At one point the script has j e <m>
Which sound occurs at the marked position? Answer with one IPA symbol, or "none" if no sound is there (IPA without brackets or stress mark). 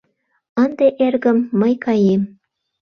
m